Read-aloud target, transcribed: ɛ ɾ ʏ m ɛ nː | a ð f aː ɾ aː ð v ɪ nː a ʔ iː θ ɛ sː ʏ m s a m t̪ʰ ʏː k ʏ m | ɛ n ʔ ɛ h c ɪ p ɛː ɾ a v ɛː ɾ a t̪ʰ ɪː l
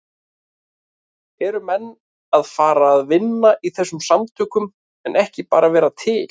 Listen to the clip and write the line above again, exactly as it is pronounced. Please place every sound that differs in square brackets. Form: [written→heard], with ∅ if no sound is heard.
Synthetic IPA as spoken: ɛ ɾ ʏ m ɛ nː | a ð f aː ɾ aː ð v ɪ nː a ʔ [iː→i] θ ɛ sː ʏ m s a m t̪ʰ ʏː k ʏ m | ɛ n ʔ ɛ h c ɪ p [ɛː→aː] ɾ a v ɛː ɾ a t̪ʰ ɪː l

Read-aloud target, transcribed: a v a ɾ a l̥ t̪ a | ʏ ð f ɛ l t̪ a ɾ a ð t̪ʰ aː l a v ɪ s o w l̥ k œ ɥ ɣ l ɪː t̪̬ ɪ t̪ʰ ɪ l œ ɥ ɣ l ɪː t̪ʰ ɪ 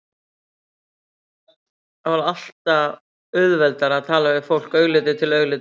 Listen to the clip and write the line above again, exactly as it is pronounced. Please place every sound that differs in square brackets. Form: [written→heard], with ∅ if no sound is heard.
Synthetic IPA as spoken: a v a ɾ a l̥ t̪ a | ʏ ð [f→v] ɛ l t̪ a ɾ a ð t̪ʰ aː l a v ɪ [s→f] o w l̥ k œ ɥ ɣ l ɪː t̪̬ ɪ t̪ʰ ɪ l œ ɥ ɣ l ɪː [t̪ʰ→t̪] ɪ

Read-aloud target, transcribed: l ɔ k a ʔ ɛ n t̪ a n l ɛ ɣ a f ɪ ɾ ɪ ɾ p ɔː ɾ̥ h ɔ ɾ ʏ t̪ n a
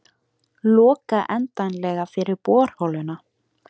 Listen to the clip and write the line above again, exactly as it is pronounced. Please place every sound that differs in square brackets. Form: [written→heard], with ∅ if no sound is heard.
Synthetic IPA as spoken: l [ɔ→ɔː] k a ʔ ɛ n t̪ a n l ɛ ɣ a f ɪ ɾ ɪ ɾ p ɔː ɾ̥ h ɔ [ɾ→l] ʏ [t̪→∅] n a

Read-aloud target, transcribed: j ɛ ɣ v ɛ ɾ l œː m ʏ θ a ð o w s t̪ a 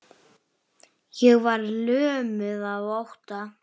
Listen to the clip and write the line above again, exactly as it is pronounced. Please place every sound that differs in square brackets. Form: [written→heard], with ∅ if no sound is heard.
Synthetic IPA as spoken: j ɛ ɣ v [ɛ→a] ɾ l œː m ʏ [θ→ð] a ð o w [s→h] t̪ a

